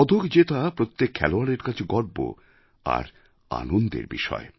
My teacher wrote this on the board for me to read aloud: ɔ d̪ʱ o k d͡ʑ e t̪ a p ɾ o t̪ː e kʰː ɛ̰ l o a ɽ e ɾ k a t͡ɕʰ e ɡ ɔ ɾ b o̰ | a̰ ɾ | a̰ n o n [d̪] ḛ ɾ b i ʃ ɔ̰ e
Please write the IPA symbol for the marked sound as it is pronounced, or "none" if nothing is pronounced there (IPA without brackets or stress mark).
d̪